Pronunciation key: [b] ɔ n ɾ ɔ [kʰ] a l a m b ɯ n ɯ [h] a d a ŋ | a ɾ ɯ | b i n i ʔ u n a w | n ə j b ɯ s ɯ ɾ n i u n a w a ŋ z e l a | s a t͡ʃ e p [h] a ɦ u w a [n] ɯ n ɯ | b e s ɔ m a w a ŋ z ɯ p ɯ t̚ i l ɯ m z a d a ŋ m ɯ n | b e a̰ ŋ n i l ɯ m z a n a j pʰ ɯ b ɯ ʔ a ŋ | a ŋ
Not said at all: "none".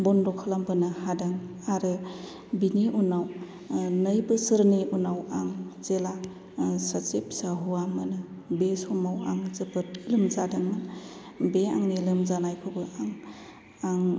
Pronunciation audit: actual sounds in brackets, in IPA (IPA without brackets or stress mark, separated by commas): b, kʰ, h, s, m